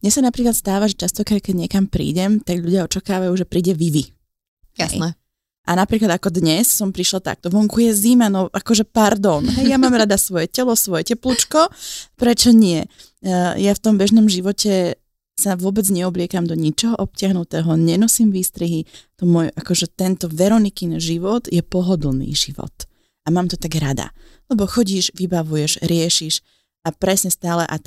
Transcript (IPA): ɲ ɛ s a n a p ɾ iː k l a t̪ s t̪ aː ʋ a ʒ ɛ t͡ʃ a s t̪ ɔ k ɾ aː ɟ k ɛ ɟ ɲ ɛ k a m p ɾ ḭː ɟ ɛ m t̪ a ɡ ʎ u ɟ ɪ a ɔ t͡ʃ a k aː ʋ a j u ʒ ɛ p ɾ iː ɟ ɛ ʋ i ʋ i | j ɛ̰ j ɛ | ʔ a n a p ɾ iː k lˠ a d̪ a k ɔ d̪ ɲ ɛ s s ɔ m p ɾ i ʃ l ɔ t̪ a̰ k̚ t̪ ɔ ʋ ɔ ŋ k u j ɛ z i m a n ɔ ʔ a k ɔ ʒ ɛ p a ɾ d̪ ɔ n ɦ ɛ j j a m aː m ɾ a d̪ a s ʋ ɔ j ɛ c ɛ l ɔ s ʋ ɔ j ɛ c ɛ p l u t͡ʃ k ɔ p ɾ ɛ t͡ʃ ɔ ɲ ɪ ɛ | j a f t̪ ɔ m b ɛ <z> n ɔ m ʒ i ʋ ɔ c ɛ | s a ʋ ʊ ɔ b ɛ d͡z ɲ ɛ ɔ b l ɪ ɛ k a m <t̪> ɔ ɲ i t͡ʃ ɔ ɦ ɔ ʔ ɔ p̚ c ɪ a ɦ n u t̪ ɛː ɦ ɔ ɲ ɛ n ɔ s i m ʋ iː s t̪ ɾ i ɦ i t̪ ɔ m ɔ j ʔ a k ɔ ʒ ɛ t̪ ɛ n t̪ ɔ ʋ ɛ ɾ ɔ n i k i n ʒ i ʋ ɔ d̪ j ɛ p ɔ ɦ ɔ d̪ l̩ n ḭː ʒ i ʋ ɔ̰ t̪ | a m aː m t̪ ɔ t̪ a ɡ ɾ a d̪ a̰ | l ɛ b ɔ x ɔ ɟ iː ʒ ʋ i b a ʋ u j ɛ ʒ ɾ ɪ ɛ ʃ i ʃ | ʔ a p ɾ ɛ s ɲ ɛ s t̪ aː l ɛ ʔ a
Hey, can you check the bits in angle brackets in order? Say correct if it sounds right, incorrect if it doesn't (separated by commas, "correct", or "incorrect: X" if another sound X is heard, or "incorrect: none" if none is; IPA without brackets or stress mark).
incorrect: ʒ, incorrect: d̪